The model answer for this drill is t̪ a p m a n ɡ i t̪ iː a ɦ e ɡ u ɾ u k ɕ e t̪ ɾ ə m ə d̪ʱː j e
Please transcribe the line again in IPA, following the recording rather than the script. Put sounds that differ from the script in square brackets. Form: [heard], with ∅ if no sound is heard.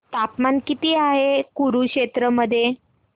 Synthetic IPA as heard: t̪ a p m a n [k] i t̪ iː a ɦ e [k] u ɾ u k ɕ e t̪ ɾ ə m ə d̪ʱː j e

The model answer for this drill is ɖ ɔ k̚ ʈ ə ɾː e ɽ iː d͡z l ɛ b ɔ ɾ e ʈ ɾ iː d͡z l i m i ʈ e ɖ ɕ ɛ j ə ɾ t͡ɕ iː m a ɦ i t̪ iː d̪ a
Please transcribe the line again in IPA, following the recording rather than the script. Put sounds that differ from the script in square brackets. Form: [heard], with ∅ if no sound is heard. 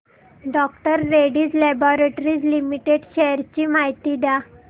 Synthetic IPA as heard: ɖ ɔ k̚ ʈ ə ɾː e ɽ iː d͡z l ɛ b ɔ ɾ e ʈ ɾ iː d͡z l i m i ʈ e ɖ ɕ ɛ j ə ɾ t͡ɕ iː m a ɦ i t̪ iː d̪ a

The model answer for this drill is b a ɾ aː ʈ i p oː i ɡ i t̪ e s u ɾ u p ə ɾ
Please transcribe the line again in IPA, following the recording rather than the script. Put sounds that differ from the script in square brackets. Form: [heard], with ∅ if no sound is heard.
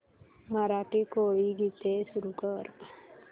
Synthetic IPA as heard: [m] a ɾ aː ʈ i [k] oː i ɡ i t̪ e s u ɾ u [k] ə ɾ

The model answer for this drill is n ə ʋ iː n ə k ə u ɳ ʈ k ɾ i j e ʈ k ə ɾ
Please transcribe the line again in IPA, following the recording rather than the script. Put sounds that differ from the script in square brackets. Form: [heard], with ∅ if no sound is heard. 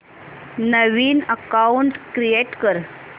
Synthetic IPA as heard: n ə ʋ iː n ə k [a] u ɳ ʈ k ɾ i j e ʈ k ə ɾ

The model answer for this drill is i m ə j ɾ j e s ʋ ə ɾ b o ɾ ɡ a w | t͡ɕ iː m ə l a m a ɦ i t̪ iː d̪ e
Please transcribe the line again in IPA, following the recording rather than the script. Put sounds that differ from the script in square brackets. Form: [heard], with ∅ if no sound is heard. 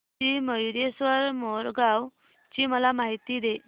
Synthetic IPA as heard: i m ə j ɾ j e s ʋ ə ɾ [m] o ɾ ɡ a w | t͡ɕ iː m ə l a m a ɦ i t̪ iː d̪ e

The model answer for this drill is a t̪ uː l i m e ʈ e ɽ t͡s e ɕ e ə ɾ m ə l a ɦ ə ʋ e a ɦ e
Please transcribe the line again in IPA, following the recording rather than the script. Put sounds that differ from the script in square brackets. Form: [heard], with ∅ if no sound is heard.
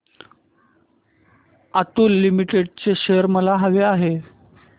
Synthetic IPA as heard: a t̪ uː [lː] i m [i] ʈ e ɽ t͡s e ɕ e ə ɾ m ə l a ɦ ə ʋ e a ɦ e

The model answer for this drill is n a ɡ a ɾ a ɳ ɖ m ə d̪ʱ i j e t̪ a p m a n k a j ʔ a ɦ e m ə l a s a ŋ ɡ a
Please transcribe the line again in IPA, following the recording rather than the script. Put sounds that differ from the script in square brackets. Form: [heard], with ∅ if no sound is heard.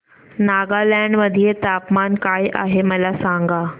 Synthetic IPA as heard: n a ɡ a [l] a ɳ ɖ m ə d̪ʱ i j e t̪ a p m a n k a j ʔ a ɦ e m ə l a s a ŋ ɡ a

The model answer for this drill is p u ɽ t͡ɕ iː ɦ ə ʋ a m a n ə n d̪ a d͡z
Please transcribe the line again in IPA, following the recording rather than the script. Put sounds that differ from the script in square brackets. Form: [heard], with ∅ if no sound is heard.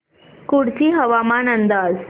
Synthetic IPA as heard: [k] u ɽ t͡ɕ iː ɦ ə ʋ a m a n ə n d̪ a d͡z

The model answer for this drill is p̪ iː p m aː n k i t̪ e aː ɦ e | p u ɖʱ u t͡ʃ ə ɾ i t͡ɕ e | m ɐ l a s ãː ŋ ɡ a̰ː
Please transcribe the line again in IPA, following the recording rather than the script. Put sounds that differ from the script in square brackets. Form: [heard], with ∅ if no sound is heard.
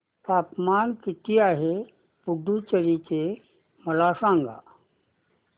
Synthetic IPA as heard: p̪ [aː] p m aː n k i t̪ [i] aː ɦ e | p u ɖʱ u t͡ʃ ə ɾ i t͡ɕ e | m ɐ l a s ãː ŋ ɡ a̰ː

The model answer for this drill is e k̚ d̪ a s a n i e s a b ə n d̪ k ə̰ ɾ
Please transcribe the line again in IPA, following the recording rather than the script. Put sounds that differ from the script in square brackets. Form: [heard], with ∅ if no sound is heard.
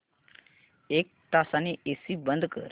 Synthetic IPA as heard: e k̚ [t̪] a s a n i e s [i] b ə n d̪ k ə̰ ɾ

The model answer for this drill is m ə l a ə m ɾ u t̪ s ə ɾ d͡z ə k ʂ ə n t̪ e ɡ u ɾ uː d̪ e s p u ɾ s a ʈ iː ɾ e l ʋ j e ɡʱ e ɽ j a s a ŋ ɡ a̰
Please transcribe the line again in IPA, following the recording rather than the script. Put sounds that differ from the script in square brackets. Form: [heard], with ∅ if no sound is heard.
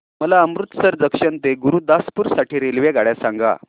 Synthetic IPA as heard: m ə l a ə m ɾ u t̪ s ə ɾ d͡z ə k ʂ ə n t̪ e ɡ u ɾ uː d̪ [a] s p u ɾ s a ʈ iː ɾ e l ʋ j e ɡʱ [a] ɽ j a s a ŋ ɡ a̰

